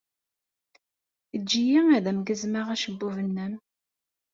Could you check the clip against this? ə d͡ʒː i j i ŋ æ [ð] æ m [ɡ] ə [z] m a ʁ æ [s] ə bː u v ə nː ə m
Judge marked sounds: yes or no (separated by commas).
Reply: yes, yes, yes, no